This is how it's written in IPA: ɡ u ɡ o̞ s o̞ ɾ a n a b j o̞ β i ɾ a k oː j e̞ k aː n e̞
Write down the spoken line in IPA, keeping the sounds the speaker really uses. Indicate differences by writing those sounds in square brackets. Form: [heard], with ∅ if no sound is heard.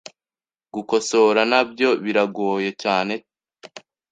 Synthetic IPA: ɡ u [k] o̞ s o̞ ɾ a n a b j o̞ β i ɾ a [ɡ] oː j e̞ [c] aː n e̞